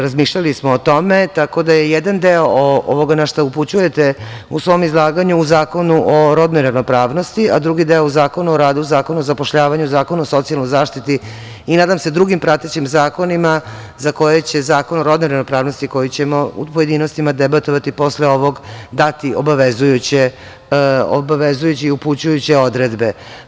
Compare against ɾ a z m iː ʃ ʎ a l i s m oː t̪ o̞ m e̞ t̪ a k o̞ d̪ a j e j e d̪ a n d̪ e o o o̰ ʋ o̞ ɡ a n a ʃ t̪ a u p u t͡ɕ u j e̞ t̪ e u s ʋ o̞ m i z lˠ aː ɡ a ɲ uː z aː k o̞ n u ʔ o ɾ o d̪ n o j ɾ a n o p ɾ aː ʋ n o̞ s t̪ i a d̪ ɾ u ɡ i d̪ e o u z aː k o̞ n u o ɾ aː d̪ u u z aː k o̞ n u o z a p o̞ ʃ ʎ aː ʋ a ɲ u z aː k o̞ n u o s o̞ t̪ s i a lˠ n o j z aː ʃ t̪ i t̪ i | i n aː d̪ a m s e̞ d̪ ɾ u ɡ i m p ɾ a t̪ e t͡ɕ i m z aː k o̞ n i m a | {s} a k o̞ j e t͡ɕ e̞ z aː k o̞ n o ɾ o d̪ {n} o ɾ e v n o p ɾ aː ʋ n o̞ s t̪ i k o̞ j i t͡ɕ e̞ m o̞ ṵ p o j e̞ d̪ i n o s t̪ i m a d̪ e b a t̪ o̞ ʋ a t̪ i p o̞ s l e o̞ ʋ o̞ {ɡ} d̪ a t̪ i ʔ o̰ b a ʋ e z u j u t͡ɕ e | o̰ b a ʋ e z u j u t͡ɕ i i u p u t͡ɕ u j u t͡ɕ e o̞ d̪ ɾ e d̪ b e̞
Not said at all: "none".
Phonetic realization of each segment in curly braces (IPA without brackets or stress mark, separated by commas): z, n, ɡ